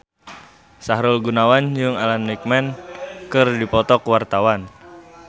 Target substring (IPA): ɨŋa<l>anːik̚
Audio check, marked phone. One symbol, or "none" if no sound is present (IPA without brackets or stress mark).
l